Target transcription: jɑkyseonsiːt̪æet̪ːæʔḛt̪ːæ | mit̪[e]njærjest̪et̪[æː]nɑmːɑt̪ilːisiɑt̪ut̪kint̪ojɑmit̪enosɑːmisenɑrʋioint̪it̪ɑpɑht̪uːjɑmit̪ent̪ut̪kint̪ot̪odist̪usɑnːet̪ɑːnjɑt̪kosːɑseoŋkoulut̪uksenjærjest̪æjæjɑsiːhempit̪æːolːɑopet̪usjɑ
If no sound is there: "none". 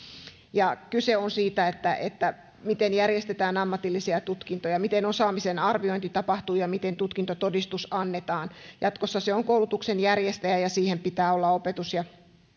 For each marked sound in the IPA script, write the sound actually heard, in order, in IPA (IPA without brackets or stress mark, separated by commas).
e, æː